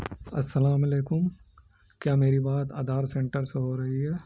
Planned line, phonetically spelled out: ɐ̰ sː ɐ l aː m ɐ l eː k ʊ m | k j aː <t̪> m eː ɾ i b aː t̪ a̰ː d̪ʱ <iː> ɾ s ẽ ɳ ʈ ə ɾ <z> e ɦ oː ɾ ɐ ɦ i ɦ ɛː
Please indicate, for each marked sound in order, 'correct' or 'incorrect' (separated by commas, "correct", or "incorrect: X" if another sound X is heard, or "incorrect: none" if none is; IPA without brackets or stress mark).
incorrect: none, incorrect: aː, incorrect: s